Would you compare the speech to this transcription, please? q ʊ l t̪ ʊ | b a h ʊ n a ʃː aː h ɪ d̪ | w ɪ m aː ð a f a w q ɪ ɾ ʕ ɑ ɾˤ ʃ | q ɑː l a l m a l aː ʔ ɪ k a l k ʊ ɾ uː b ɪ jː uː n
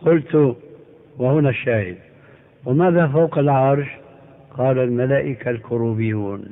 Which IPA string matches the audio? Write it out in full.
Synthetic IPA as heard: q ʊ l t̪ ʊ | w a h ʊ n a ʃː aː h ɪ d̪ | w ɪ m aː ð a f a w q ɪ l ʕ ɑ ɾˤ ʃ | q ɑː l a l m a l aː ʔ ɪ k a l k ʊ ɾ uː b ɪ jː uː n